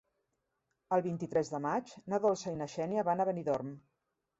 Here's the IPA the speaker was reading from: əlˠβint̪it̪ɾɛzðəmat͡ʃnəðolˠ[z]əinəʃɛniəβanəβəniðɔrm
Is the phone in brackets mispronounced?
yes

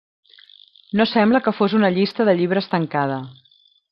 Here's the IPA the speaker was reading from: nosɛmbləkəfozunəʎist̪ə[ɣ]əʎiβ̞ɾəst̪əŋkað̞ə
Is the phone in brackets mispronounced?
yes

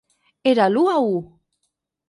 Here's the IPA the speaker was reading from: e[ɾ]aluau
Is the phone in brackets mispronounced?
no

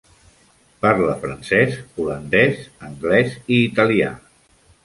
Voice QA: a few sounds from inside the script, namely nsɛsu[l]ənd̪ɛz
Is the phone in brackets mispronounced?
no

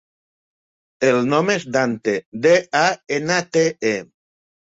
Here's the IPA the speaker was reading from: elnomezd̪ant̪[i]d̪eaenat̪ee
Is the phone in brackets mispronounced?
yes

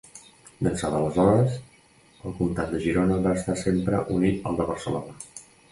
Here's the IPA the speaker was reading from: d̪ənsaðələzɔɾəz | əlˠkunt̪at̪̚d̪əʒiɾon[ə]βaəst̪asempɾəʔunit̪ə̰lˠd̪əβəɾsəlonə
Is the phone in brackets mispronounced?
no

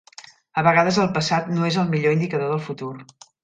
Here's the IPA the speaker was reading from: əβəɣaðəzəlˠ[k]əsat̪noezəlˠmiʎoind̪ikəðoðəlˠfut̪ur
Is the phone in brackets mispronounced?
yes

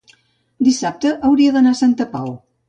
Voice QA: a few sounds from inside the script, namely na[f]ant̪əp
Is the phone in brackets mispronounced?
yes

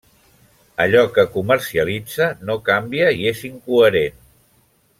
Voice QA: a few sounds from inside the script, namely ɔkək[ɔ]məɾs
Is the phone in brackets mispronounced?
yes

